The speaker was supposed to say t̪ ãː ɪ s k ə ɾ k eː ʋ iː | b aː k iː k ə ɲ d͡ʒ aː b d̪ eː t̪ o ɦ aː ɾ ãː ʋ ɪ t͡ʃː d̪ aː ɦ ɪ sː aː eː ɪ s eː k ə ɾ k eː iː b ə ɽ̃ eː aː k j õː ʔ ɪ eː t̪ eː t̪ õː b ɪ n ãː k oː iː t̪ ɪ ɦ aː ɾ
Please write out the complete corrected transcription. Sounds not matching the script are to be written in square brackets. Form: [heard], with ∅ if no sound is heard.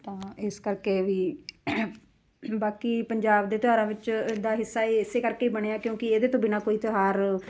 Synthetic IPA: t̪ ãː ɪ s k ə ɾ k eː ʋ iː | b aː k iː [p] ə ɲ d͡ʒ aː b d̪ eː t̪ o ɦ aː ɾ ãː ʋ ɪ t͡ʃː d̪ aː ɦ ɪ sː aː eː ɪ s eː k ə ɾ k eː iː b ə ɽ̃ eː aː k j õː [k] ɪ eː [d̪] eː t̪ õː b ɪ n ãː k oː iː t̪ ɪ ɦ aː ɾ